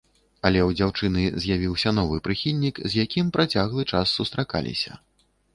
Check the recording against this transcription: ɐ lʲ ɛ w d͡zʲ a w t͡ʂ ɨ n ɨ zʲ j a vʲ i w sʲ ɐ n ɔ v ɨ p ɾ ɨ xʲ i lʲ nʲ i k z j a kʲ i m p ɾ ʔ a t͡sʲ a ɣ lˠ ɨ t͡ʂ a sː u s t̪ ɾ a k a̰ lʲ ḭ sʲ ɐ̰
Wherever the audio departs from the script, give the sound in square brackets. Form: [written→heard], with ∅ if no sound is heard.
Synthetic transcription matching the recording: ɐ lʲ ɛ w d͡zʲ a w t͡ʂ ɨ n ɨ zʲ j a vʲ i w sʲ ɐ n ɔ v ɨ p ɾ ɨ xʲ i lʲ nʲ i k z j a kʲ i m p ɾ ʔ a t͡sʲ a ɣ lˠ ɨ t͡ʂ a sː u s t̪ ɾ a k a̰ lʲ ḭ sʲ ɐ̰